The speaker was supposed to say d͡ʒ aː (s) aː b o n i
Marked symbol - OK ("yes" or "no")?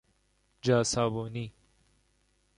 yes